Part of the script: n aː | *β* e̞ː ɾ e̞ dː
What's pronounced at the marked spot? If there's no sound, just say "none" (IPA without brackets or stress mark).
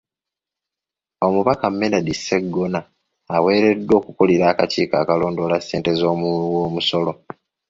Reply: w